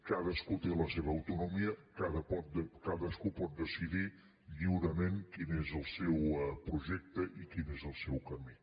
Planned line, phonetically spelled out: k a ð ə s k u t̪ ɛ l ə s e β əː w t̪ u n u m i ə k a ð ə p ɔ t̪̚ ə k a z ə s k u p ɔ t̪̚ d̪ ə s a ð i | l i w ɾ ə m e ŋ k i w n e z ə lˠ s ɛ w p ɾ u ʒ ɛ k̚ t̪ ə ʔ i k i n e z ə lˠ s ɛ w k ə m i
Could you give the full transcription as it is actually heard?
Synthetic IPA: k a ð ə s k u t̪ e l ə s e β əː w t̪ u n u m i ə k a ð ə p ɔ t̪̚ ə k a ð ə s k u p ɔ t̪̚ d̪ ə s i ð i | ʎ i w ɾ ə m e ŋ k i n e z ə lˠ s ɛ w p ɾ u ʒ ɛ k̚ t̪ ə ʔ i k i n e z ə lˠ s ɛ w k ə m i